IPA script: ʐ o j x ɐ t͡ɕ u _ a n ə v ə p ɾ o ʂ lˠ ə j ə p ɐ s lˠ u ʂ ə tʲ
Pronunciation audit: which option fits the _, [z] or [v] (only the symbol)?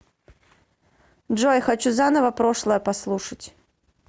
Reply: z